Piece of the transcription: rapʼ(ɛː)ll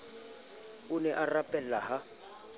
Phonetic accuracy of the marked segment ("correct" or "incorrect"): incorrect